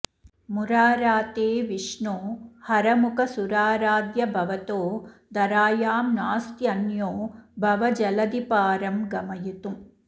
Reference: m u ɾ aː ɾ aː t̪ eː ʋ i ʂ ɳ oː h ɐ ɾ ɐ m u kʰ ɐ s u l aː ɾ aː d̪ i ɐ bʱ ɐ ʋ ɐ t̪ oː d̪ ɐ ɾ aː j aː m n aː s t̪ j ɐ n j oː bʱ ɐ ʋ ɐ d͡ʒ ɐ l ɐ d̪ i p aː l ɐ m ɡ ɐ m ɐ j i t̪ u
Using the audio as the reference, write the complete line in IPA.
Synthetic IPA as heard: m u ɾ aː ɾ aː t̪ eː ʋ i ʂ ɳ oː h ɐ ɾ ɐ m u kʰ ɐ s u ɾ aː ɾ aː d̪ j ɐ bʱ ɐ ʋ ɐ t̪ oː d̪ ɐ ɾ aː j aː m n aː s t̪ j ɐ n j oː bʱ ɐ ʋ ɐ d͡ʒ ɐ l ɐ d̪ i p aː ɾ ɐ m ɡ ɐ m ɐ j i t̪ u